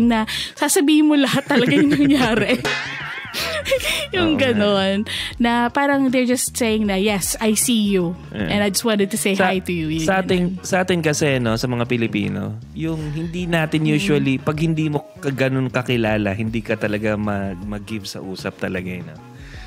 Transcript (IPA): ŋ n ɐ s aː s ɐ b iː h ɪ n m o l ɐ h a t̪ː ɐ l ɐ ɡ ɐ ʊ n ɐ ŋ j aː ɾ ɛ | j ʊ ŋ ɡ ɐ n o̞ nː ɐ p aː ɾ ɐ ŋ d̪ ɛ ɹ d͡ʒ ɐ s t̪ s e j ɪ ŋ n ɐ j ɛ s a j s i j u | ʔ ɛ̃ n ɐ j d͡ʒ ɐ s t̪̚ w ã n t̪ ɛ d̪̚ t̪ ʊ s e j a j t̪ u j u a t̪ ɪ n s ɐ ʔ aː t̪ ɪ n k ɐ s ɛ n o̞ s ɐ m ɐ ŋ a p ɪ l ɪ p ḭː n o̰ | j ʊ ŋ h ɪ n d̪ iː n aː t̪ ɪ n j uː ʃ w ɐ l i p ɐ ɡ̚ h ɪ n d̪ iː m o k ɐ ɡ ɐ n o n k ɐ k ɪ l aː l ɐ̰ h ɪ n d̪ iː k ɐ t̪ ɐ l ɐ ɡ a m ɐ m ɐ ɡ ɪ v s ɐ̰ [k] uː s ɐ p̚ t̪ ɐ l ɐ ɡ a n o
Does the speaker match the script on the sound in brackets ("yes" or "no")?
no